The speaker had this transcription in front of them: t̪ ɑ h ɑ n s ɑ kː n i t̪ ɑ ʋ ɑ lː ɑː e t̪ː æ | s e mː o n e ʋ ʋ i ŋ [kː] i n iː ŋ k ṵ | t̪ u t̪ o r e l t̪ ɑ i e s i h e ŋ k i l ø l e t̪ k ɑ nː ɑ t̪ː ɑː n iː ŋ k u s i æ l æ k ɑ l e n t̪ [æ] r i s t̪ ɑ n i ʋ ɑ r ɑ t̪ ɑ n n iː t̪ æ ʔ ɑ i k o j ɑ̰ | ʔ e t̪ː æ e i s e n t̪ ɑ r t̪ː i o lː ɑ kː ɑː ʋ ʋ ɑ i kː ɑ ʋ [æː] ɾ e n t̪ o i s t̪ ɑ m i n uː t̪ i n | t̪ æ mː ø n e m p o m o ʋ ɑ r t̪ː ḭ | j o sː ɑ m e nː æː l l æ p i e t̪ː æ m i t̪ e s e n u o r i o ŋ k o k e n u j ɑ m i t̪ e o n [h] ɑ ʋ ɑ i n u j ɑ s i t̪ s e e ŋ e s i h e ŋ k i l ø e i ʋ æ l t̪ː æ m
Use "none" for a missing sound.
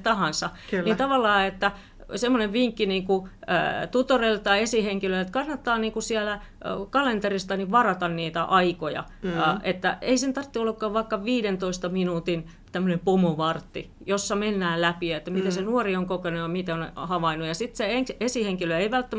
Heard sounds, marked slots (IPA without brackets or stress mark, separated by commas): kː, e, iː, h